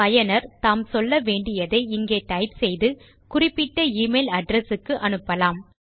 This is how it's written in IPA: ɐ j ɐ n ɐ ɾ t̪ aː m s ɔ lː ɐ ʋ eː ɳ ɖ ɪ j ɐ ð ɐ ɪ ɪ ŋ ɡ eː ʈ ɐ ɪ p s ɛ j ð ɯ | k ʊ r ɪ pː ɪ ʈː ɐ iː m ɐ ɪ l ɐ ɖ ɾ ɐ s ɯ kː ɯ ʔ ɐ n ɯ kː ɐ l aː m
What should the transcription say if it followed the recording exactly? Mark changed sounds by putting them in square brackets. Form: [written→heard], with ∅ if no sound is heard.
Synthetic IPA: ɐ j ɐ n ɐ ɾ t̪ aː m s ɔ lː ɐ ʋ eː ɳ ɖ ɪ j ɐ ð ɐ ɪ ɪ ŋ ɡ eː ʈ ɐ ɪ p s ɛ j ð ɯ | k ʊ r ɪ pː ɪ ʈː ɐ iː m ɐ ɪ l ɐ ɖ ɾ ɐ s ɯ kː ɯ ʔ ɐ n ɯ [kː→pː] ɐ l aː m